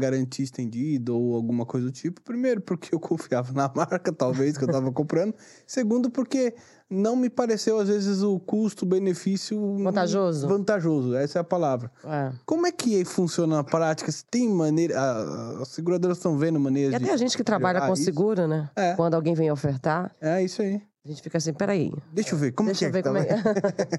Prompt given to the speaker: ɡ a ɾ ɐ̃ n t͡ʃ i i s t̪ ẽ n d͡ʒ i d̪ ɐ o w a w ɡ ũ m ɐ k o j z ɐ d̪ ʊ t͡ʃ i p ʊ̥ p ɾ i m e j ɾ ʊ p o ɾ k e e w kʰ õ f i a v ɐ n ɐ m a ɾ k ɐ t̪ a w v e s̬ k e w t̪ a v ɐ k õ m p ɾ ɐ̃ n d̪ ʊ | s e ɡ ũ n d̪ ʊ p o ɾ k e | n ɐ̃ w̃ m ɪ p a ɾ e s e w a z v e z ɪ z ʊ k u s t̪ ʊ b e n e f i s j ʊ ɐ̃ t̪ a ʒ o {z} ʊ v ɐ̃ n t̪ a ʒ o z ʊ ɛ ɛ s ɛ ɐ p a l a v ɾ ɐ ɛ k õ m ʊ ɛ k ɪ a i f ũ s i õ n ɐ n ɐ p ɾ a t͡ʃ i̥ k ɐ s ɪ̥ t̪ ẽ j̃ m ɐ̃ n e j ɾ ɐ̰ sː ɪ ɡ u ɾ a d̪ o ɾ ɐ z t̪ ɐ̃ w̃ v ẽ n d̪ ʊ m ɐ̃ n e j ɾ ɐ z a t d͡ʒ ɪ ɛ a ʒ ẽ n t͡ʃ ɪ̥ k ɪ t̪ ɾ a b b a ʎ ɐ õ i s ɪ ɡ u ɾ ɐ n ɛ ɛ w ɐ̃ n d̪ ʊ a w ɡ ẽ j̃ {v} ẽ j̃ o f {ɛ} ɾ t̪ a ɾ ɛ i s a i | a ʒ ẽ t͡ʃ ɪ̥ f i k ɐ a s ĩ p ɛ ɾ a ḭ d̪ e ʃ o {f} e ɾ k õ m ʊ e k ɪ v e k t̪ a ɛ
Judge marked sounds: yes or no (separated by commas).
yes, yes, no, no